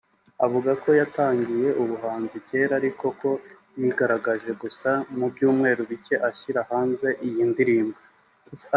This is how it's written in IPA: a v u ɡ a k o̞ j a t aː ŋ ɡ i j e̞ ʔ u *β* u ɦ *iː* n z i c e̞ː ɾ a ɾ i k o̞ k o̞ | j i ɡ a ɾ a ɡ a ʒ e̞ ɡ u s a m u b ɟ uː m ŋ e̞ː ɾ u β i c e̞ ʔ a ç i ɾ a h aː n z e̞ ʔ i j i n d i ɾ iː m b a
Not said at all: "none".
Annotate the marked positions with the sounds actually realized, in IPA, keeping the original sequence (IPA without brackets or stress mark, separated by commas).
β, aː